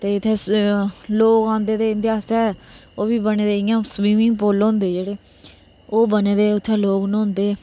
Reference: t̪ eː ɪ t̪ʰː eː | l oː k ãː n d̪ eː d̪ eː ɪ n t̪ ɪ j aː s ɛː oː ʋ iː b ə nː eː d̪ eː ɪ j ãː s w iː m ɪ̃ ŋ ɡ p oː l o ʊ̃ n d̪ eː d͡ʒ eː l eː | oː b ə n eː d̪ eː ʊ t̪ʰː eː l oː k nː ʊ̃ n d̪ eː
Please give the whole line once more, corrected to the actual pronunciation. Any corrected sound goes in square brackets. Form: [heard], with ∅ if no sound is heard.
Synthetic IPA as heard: t̪ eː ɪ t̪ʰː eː | l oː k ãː n d̪ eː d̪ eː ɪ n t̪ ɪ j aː s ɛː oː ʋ iː b ə [n] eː d̪ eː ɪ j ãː s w iː m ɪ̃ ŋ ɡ p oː l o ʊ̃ n d̪ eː d͡ʒ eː [ɽ] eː | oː b ə n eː d̪ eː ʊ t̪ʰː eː l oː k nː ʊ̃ n d̪ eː